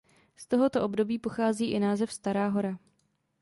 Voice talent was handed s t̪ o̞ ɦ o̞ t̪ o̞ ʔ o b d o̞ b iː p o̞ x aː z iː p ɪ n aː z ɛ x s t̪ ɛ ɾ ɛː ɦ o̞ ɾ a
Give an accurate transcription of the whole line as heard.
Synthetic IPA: s t̪ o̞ ɦ o̞ t̪ o̞ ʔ o b d o̞ b iː p o̞ x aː z iː ʔ ɪ n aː z ɛ f s t̪ a ɾ aː ɦ o̞ ɾ a